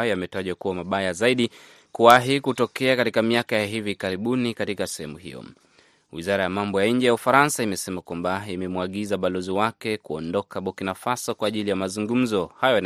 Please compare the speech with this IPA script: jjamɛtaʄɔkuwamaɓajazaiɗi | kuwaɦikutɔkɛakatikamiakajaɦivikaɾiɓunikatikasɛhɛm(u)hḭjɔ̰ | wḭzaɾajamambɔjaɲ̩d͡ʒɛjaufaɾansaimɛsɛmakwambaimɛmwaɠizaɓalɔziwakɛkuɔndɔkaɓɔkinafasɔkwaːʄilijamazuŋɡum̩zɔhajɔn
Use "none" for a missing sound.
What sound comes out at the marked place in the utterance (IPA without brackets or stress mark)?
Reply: u